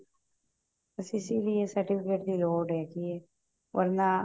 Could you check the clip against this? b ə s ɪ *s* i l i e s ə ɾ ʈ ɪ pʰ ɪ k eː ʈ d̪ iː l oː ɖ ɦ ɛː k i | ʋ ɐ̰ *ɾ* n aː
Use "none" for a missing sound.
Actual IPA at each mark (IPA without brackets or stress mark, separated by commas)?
s, ɾ